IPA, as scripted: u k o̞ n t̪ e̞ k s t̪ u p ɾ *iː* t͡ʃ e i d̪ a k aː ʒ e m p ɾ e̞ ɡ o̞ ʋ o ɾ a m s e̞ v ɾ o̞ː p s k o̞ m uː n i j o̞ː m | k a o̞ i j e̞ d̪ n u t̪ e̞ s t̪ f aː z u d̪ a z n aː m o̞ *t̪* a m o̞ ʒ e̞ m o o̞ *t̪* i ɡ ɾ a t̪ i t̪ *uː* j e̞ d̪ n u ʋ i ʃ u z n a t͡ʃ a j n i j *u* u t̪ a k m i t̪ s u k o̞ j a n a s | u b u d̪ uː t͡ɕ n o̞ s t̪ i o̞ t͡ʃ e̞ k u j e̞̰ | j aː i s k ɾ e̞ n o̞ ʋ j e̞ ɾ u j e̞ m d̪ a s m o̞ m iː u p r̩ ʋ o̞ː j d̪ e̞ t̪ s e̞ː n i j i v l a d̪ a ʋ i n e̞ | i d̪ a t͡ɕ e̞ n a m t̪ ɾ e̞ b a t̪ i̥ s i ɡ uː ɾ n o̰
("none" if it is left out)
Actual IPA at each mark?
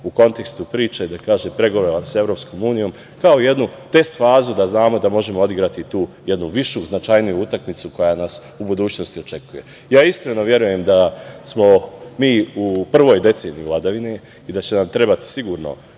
iː, d̪, d̪, uː, u

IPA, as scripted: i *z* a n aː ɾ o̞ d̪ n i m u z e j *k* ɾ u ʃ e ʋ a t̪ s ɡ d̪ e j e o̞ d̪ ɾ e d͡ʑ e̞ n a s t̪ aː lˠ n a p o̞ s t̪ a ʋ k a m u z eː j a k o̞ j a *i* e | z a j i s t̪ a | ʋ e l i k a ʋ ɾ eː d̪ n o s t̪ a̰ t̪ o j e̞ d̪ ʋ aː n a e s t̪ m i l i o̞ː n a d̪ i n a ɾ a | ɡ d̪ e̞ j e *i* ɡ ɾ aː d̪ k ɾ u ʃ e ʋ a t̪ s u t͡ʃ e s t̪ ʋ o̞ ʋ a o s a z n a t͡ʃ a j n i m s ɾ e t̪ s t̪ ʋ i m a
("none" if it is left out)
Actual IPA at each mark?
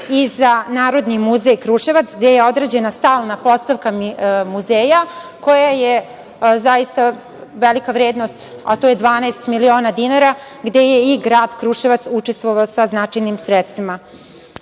z, k, j, i

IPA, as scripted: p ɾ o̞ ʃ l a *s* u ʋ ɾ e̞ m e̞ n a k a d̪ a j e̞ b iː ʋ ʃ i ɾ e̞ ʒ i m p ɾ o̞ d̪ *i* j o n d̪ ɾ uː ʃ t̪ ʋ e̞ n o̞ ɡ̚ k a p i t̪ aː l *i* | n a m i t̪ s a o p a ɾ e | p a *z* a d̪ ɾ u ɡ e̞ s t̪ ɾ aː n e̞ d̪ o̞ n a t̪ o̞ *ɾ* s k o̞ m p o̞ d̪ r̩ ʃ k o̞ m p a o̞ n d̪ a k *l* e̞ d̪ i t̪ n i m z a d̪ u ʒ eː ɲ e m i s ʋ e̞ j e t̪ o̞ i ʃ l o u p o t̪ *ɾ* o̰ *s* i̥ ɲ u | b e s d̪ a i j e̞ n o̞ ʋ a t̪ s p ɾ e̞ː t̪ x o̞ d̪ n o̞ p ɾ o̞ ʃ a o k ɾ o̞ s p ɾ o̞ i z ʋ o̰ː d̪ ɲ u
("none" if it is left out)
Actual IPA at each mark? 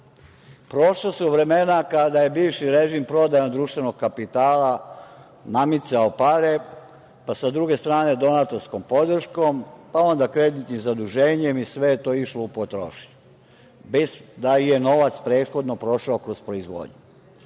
s, a, a, s, ɾ, ɾ, ɾ, ʃ

